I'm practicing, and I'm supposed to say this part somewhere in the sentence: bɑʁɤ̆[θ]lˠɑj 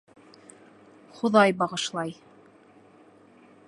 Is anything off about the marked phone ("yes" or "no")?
yes